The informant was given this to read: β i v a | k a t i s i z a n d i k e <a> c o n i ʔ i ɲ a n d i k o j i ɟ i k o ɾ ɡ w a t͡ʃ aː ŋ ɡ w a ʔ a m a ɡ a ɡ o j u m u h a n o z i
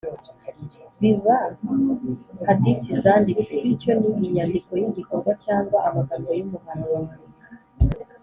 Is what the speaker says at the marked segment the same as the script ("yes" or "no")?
no